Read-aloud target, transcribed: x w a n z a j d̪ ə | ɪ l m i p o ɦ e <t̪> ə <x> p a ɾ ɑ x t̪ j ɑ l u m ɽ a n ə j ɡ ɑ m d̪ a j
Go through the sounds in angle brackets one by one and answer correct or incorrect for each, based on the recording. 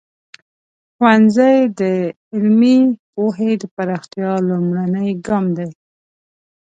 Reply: incorrect: d̪, incorrect: none

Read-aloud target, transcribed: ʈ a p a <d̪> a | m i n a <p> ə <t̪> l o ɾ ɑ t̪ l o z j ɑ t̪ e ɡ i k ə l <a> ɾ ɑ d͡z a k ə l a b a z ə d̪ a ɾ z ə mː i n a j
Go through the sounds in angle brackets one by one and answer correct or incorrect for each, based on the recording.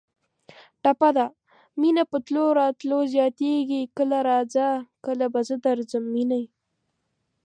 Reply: correct, correct, correct, correct

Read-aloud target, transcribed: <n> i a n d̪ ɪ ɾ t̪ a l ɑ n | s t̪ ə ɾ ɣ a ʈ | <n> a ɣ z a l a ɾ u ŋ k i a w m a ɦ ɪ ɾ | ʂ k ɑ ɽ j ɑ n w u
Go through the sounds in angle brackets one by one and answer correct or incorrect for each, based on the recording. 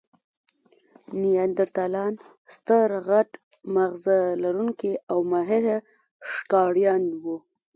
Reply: correct, incorrect: m

